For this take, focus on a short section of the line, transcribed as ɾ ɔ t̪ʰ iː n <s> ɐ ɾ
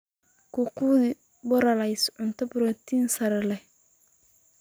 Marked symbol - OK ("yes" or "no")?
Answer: yes